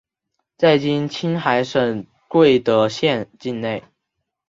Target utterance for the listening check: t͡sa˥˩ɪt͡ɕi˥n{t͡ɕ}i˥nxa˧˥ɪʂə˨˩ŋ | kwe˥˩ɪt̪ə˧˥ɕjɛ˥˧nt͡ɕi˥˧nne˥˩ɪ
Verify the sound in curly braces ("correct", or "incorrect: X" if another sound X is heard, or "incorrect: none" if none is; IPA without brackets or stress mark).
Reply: incorrect: t͡ɕʰ